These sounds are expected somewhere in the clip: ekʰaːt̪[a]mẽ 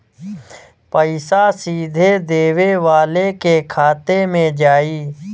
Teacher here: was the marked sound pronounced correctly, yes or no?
no